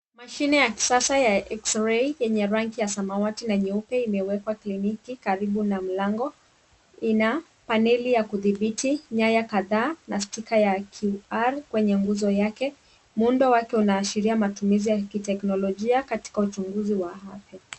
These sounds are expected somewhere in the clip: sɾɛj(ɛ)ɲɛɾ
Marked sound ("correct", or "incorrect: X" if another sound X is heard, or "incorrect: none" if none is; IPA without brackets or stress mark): correct